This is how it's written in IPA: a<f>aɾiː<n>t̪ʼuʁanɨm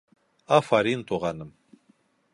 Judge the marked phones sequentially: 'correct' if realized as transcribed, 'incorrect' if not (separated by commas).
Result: correct, correct